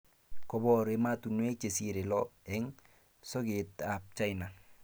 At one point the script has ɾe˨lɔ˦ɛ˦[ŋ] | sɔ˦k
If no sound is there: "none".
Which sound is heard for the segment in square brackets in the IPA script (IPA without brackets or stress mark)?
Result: ŋ